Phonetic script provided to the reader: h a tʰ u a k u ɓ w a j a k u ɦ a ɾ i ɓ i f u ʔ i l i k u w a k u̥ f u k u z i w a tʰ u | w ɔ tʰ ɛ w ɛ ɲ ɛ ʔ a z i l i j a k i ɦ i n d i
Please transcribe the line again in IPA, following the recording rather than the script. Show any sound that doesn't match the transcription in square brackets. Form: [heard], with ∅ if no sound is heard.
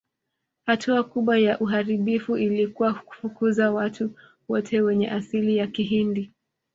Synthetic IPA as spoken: h a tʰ u a k u ɓ w a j a [ʔ] u ɦ a ɾ i ɓ i f u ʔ i l i k u w a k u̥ f u k u z [a] w a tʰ u | w ɔ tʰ ɛ w ɛ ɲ ɛ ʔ a [s] i l i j a k i ɦ i n d i

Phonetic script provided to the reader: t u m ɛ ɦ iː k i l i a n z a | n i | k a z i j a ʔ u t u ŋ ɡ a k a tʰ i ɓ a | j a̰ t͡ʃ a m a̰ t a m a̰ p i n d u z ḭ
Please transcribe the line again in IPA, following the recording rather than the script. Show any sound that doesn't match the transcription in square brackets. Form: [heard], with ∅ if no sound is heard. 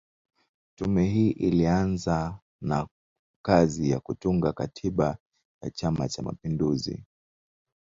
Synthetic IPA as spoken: t u m ɛ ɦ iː [ʔ] i l i a n z a | n [a] | k a z i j a [k] u t u ŋ ɡ a k a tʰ i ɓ a | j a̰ t͡ʃ a m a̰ [t͡ʃ] a m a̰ p i n d u z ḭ

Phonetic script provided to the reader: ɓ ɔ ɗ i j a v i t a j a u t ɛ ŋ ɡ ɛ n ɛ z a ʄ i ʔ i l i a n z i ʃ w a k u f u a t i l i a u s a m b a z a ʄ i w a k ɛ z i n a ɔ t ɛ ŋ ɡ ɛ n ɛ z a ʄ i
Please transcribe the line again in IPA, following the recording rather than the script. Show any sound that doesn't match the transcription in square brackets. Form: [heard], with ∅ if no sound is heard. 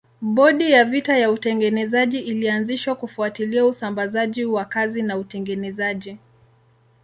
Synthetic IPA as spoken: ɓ ɔ ɗ i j a v i t a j a u t ɛ ŋ ɡ ɛ n ɛ z a ʄ i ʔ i l i a n z i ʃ w a k u f u a t i l i a u s a m b a z a ʄ i w a k [a] z i n a [u] t ɛ ŋ ɡ ɛ n ɛ z a ʄ i

